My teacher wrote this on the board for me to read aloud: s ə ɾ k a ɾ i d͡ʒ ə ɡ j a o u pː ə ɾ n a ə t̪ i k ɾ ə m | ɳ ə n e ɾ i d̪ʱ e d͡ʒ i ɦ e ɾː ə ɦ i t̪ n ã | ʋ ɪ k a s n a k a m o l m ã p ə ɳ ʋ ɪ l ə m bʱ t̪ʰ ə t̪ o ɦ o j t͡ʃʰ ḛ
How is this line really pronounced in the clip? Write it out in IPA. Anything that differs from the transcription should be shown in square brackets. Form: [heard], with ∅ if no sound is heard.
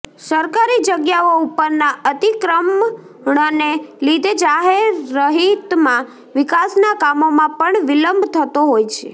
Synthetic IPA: s ə ɾ k a ɾ i d͡ʒ ə ɡ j a o u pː ə ɾ n a ə t̪ i k ɾ ə m | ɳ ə n e [l] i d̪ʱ e d͡ʒ [a] ɦ e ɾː ə ɦ i t̪ [m] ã | ʋ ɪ k a s n a k a m o [∅] m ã p ə ɳ ʋ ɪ l ə m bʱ t̪ʰ ə t̪ o ɦ o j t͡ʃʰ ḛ